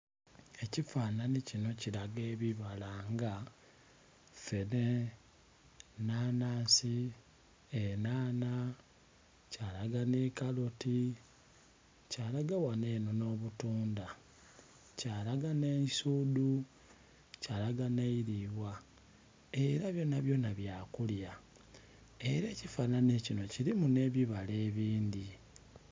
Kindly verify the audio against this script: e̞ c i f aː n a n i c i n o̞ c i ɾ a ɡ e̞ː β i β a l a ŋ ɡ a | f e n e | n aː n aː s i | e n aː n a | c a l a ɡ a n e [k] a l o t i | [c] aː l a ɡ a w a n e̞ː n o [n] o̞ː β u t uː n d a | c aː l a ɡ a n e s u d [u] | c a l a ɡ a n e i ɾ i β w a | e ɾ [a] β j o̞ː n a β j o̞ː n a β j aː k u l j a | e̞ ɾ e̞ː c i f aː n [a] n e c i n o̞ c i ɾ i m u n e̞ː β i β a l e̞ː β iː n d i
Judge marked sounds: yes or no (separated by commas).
yes, yes, yes, yes, yes, yes